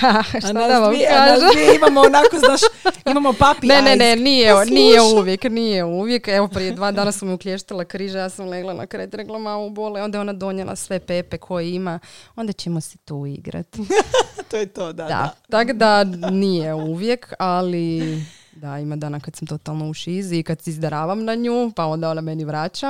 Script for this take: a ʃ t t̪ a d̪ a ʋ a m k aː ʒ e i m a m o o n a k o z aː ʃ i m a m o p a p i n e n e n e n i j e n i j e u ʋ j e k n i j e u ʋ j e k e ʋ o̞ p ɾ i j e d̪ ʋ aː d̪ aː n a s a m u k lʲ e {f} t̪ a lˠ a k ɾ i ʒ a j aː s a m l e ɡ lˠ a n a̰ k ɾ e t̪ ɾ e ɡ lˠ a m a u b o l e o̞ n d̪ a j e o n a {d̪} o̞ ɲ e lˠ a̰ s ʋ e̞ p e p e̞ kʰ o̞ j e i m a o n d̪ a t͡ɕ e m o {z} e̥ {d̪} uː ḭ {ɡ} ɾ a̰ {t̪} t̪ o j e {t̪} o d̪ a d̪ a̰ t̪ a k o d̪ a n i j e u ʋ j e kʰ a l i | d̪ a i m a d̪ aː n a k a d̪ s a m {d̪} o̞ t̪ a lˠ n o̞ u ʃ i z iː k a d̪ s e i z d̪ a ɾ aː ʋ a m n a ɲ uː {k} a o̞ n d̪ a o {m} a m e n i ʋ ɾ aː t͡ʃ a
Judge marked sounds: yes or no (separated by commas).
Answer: no, yes, no, no, yes, yes, yes, no, no, no